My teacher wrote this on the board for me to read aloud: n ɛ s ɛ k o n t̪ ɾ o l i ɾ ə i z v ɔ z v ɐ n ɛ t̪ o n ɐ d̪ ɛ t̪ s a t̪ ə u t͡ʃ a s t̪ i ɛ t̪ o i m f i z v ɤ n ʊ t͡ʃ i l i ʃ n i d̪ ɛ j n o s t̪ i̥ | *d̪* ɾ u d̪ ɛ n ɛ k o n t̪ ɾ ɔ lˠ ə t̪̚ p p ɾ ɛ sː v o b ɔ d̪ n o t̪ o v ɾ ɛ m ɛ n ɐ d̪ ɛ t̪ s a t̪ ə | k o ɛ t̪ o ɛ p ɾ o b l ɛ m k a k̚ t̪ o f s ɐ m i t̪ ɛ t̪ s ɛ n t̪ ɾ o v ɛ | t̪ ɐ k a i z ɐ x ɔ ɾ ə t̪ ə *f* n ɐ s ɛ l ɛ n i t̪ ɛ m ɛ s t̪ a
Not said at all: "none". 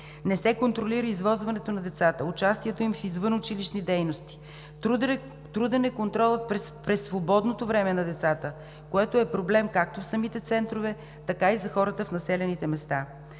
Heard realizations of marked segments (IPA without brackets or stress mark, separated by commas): t̪, f